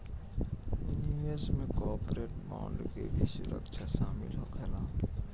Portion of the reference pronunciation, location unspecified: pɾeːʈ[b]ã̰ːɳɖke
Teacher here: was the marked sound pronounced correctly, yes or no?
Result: yes